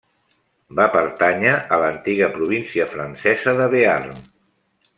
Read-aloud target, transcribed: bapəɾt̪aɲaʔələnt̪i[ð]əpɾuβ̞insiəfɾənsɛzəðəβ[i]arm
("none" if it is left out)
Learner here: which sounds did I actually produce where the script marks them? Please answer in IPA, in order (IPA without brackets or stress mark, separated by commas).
ɣ, e